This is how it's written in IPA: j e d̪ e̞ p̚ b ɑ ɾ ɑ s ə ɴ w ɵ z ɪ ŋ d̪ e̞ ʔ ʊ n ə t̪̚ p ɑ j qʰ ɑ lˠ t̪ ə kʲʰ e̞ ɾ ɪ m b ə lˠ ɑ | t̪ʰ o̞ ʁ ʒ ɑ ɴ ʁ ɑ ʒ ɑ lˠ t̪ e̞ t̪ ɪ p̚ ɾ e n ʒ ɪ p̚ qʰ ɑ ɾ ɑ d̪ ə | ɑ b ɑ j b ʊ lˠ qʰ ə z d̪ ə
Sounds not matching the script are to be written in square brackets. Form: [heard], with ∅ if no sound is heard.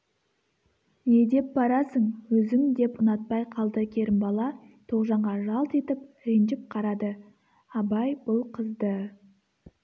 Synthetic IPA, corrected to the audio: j e d̪ e̞ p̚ b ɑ ɾ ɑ s ə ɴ w ɵ z ɪ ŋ d̪ e̞ [p] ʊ n [ɑ] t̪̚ p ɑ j qʰ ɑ lˠ [d̪] ə kʲʰ e̞ ɾ ɪ m b [ɑ] lˠ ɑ | t̪ʰ o̞ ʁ ʒ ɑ ɴ ʁ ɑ ʒ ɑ lˠ t̪ e̞ t̪ ɪ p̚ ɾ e n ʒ ɪ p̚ qʰ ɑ ɾ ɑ d̪ ə | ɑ b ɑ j b ʊ lˠ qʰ ə z d̪ ə